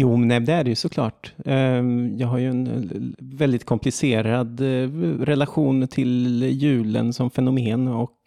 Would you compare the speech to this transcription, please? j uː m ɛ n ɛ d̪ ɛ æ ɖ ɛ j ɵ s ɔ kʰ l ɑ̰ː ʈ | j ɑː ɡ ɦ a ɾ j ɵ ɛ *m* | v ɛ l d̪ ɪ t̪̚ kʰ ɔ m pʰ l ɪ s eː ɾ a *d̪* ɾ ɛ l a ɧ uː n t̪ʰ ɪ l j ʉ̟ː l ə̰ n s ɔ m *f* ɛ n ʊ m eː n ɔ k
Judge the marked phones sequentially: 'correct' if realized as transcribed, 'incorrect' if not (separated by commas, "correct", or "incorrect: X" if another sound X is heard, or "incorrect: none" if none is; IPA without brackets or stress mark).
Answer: incorrect: n, correct, correct